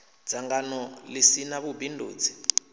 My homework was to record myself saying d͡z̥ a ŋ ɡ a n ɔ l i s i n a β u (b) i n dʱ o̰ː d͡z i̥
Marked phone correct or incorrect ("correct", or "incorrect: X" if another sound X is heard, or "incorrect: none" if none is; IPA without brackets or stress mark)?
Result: correct